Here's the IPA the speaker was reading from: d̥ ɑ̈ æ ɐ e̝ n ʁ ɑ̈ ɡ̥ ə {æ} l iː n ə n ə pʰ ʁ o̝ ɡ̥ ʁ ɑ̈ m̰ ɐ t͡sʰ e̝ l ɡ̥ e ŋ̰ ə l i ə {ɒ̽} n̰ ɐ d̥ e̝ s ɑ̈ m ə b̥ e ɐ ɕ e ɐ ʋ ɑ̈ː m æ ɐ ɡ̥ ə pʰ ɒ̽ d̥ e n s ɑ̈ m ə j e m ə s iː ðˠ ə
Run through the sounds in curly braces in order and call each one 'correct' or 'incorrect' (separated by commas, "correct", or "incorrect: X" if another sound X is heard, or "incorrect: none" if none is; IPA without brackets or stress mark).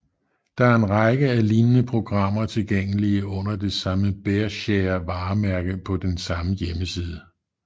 correct, incorrect: ɔ̽